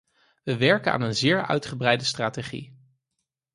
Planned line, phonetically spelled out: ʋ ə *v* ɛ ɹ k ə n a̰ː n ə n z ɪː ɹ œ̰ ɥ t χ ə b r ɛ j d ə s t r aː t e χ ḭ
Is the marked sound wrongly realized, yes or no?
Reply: yes